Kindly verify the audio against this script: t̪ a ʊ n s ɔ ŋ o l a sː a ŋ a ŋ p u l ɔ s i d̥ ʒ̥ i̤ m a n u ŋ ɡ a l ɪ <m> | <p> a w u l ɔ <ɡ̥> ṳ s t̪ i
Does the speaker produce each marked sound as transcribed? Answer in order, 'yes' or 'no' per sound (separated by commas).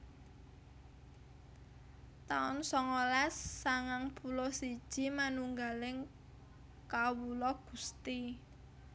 no, no, yes